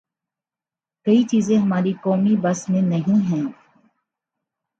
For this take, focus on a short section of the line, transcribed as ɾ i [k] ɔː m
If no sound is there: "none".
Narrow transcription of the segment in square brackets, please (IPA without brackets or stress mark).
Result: k